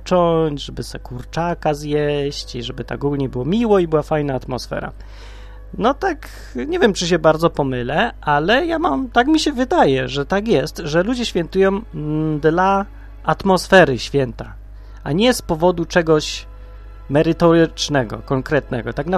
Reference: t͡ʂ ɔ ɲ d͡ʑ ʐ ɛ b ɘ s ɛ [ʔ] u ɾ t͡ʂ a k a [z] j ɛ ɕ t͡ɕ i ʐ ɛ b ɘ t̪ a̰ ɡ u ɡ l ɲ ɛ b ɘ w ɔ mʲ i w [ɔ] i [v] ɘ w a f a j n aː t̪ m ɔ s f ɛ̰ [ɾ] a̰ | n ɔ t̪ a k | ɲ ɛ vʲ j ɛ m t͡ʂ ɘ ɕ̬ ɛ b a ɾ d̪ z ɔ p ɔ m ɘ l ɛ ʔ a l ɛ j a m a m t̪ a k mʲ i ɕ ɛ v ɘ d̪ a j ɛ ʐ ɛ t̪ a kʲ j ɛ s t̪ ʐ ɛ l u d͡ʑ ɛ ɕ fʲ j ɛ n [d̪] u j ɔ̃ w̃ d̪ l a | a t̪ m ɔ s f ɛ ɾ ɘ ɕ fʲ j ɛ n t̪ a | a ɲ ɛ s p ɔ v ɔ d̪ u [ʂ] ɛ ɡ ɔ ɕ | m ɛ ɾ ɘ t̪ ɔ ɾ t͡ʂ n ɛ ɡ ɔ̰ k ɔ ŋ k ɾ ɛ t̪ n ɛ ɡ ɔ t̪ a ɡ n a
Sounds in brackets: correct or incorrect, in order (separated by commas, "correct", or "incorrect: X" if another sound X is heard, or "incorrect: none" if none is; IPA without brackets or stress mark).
incorrect: k, correct, correct, incorrect: b, correct, incorrect: t̪, incorrect: t͡ʂ